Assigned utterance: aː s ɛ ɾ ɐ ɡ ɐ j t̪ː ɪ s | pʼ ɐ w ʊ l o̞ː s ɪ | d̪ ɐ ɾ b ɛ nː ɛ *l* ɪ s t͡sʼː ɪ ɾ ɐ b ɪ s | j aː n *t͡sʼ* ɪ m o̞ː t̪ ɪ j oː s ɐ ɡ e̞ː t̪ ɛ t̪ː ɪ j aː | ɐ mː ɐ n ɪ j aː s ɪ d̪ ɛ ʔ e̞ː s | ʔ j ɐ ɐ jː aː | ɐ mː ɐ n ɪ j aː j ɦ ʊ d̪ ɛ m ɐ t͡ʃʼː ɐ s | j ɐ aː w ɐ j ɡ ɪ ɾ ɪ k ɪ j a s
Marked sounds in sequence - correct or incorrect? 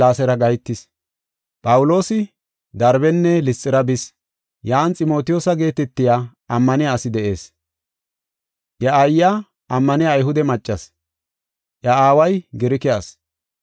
correct, correct

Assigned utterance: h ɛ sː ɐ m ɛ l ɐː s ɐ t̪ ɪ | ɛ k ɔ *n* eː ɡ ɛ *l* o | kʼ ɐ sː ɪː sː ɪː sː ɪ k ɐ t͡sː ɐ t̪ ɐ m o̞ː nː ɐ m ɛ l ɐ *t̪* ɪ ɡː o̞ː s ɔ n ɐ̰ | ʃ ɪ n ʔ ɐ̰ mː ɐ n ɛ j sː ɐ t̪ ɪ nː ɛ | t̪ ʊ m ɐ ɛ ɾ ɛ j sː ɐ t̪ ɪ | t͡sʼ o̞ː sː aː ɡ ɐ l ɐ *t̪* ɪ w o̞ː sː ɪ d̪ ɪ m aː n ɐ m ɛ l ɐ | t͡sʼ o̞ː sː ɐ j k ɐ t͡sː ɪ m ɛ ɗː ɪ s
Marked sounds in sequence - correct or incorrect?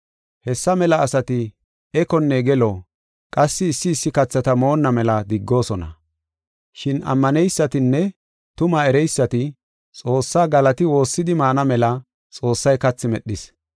incorrect: nː, correct, incorrect: d̪, correct

